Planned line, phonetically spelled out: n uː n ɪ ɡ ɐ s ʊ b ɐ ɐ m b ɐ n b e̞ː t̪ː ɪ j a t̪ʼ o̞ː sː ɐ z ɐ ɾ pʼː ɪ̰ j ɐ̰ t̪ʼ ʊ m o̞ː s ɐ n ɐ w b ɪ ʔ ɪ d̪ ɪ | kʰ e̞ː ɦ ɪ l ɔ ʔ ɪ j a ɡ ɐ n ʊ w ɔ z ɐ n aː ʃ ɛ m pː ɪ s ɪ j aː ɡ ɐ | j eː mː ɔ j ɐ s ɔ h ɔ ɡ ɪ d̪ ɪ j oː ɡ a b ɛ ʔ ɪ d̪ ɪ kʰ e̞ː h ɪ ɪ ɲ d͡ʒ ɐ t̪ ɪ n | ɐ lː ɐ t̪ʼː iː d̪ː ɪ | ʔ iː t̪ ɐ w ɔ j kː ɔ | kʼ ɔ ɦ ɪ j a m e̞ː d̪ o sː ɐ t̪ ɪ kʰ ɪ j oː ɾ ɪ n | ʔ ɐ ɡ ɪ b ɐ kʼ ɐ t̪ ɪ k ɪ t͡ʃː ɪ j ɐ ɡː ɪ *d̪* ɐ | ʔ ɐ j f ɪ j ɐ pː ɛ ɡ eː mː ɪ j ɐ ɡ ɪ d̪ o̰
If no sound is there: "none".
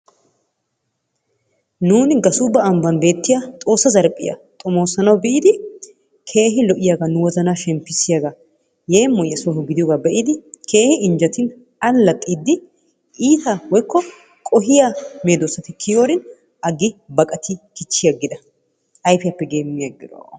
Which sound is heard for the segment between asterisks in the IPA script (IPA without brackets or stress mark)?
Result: d̪